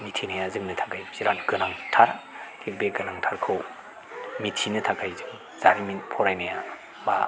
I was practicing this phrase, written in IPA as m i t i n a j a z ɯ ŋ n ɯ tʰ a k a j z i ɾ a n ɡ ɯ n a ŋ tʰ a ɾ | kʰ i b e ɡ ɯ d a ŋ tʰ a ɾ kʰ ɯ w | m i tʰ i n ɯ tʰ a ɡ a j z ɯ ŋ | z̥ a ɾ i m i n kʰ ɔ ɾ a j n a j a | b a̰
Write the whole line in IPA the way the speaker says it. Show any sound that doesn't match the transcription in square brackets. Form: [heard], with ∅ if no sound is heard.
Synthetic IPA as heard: m i [tʰ] i n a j a z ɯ ŋ n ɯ tʰ a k a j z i ɾ a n ɡ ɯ n a ŋ tʰ a ɾ | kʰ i b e ɡ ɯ [n] a ŋ tʰ a ɾ kʰ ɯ w | m i tʰ i n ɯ tʰ a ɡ a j z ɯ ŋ | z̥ a ɾ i m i n [pʰ] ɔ ɾ a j n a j a | b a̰